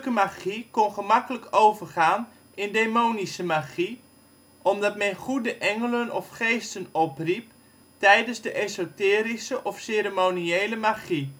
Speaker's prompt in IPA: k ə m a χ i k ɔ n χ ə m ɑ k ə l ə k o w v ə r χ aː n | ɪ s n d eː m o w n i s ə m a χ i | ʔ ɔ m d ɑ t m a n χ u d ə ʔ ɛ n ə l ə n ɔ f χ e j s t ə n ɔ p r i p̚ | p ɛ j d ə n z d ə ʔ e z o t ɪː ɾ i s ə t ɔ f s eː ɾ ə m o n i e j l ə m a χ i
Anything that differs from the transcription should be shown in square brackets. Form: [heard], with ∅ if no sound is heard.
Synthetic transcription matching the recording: k ə m a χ i k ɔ n χ ə m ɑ k ə l ə k o w v ə r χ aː n | ɪ [∅] n d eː m o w n i s ə m a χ i | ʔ ɔ m d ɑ t m [ɛ] n χ u d ə ʔ ɛ [ŋ] ə l ə n ɔ f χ e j s t ə n ɔ p r i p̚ | [t] ɛ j d ə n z d ə ʔ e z o t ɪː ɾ i s ə [ʔ] ɔ f s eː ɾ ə m o n i e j l ə m a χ i